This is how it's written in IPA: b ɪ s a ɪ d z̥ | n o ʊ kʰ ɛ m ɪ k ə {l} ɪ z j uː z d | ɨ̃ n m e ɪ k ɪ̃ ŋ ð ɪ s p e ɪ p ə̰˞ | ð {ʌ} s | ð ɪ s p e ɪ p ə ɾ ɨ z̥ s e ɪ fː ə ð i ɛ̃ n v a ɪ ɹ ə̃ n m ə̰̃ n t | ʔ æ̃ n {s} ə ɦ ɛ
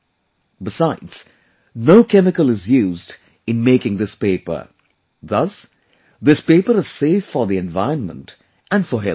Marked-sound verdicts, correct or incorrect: correct, correct, incorrect: f

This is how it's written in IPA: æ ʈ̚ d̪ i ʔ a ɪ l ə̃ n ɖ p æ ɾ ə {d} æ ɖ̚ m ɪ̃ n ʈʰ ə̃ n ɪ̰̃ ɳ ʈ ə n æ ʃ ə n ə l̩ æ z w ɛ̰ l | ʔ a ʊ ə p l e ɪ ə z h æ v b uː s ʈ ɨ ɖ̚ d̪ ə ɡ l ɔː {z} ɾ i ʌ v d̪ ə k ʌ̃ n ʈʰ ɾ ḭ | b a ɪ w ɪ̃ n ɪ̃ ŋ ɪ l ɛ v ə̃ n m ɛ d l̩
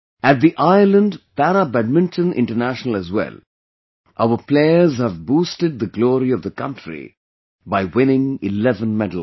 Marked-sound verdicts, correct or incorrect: incorrect: b, incorrect: none

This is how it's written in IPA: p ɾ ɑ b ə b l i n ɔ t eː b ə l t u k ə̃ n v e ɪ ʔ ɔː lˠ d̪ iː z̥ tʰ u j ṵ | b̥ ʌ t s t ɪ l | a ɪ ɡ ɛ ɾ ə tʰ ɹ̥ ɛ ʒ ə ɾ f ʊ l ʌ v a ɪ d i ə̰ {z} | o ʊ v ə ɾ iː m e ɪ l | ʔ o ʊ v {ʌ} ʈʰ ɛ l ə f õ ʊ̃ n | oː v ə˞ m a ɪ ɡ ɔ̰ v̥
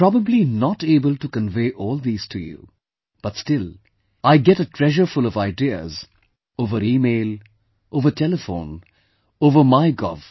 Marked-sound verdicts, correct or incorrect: correct, incorrect: ə

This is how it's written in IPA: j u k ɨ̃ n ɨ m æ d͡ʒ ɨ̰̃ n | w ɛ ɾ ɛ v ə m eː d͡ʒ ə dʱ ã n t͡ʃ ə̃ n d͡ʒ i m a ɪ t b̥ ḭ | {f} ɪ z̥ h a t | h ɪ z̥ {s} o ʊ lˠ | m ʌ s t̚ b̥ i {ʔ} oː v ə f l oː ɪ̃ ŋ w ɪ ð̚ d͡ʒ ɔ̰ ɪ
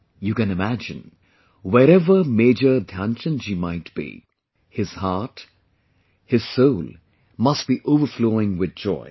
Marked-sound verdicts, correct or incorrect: incorrect: h, correct, correct

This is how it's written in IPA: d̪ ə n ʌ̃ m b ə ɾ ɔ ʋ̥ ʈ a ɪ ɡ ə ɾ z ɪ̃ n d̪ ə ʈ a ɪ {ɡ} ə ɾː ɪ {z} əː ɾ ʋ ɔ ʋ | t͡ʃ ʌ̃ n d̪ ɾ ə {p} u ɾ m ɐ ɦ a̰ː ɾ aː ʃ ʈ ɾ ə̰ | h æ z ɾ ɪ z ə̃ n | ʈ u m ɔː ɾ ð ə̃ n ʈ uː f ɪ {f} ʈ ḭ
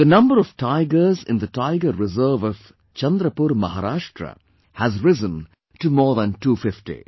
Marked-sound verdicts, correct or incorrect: correct, correct, correct, correct

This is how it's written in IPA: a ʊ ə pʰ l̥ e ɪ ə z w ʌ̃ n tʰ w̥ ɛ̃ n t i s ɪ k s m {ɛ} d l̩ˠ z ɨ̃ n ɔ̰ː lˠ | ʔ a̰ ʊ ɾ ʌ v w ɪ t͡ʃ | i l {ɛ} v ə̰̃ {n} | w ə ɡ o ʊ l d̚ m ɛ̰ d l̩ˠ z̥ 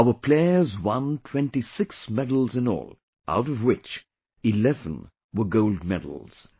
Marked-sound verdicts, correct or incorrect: correct, correct, correct

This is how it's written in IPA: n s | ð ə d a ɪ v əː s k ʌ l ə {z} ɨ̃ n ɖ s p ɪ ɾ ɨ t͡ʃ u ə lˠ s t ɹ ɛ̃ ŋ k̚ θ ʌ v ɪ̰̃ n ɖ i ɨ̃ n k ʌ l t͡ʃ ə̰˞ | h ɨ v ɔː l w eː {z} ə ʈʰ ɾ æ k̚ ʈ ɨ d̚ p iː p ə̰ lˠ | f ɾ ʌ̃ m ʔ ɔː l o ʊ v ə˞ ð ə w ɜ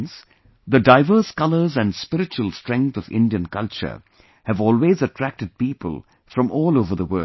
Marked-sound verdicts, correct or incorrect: correct, correct

